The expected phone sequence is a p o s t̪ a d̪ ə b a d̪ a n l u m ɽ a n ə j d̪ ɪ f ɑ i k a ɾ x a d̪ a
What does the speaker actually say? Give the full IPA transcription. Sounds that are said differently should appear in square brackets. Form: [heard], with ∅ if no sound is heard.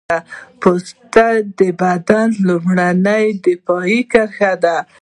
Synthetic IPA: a p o s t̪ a d̪ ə b a d̪ a n l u m ɽ a n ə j d̪ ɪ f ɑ i k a ɾ x a d̪ a